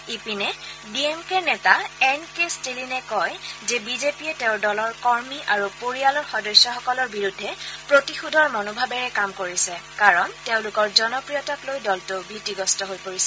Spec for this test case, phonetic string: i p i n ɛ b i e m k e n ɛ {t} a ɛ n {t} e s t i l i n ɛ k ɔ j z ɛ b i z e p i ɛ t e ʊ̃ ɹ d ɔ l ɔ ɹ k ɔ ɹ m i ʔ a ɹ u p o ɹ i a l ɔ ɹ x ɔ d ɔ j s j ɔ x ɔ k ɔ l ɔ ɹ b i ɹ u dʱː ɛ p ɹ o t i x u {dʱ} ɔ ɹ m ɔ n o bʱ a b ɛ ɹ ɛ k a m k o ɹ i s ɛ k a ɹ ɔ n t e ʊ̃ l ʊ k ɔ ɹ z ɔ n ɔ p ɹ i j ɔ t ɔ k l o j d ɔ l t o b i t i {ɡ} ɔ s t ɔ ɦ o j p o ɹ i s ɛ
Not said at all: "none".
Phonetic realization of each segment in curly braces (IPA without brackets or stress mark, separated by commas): t, k, dʱ, ɡ